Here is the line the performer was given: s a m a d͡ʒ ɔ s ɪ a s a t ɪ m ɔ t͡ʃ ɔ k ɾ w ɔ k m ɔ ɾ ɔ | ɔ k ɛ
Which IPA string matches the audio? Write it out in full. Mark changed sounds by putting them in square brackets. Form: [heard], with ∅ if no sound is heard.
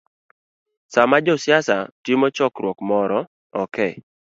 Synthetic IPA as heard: s a m a d͡ʒ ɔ s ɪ a s a t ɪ m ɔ t͡ʃ ɔ k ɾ w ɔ k m ɔ ɾ ɔ | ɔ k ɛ